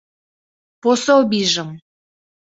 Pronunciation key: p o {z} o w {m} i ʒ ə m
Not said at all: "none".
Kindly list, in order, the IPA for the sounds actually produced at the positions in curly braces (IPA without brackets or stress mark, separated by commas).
s, b